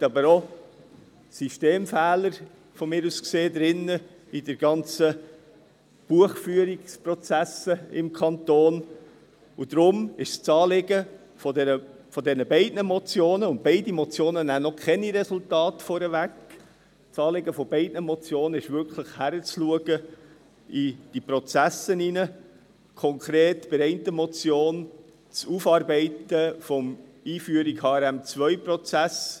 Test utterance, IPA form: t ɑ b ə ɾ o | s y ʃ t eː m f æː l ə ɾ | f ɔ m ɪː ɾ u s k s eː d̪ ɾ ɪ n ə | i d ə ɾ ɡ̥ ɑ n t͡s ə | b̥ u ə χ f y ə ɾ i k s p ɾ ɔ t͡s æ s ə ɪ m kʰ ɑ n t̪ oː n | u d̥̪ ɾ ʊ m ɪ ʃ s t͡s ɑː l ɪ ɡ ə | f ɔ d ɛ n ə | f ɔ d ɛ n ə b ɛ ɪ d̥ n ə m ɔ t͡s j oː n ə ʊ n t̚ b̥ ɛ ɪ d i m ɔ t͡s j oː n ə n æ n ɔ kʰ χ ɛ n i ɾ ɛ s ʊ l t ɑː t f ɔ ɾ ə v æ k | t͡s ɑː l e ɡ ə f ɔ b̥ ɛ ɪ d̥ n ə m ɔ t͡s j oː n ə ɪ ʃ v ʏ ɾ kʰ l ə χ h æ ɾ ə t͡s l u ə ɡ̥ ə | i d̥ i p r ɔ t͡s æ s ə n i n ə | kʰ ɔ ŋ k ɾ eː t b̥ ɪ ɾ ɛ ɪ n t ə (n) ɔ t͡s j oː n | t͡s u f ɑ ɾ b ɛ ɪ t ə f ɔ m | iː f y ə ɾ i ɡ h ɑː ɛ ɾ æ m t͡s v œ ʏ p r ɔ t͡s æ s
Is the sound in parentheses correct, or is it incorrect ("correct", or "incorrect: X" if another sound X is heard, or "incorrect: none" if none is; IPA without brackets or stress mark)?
incorrect: m